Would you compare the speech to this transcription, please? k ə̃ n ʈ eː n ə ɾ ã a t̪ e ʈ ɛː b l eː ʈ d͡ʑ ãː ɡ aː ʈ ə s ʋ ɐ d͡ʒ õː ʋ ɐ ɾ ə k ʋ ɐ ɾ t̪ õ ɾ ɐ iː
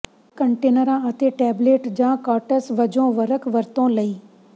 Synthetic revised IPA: k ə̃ ɳ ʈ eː n ə ɾ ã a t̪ e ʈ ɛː b l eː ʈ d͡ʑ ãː k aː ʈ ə s ʋ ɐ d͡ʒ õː ʋ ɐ ɾ ə k ʋ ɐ ɾ t̪ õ l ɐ iː